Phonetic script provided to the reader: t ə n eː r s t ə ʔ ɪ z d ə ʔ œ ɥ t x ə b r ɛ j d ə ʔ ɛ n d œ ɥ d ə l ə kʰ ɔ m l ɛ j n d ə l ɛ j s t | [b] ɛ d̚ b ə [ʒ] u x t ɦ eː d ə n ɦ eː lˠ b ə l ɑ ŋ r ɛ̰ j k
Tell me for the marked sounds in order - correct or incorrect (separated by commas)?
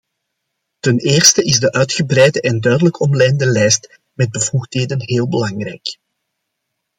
incorrect, incorrect